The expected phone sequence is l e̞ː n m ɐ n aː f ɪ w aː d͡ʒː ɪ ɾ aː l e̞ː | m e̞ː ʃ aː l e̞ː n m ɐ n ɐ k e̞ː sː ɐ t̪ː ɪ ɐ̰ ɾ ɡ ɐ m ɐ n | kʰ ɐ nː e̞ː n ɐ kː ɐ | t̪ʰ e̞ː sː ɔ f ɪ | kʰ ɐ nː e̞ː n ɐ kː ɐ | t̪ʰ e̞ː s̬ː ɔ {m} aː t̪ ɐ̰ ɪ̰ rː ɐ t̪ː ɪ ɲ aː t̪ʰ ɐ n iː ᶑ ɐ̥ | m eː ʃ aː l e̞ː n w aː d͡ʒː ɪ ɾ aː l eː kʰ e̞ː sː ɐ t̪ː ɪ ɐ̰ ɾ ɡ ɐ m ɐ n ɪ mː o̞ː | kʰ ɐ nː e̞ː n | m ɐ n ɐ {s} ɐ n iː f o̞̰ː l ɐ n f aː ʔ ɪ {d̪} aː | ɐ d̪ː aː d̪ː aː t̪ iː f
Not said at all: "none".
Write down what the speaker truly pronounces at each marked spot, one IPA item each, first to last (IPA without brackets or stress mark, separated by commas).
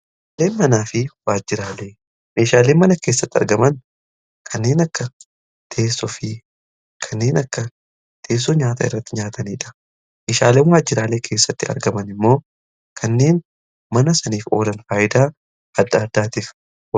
ɲ, s, d̪